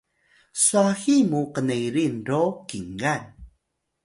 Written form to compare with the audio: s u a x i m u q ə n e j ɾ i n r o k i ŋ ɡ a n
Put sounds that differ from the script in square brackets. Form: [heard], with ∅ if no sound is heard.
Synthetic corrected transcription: s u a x i m u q ə n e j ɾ i n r o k i ŋ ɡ a n